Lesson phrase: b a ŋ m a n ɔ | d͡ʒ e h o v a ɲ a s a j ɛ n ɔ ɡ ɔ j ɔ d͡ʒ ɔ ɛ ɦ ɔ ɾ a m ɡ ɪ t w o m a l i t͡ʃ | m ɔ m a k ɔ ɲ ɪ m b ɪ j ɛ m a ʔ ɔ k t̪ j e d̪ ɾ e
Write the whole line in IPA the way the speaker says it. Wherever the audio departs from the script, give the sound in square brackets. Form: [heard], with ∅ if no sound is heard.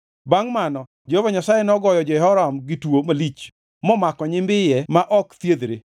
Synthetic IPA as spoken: b a ŋ m a n ɔ | d͡ʒ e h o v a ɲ a s a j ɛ n ɔ ɡ ɔ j ɔ d͡ʒ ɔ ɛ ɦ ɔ ɾ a m ɡ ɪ t w o m a l i t͡ʃ | m ɔ m a k ɔ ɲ ɪ m b ɪ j ɛ m a ʔ ɔ k t̪ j e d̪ ɾ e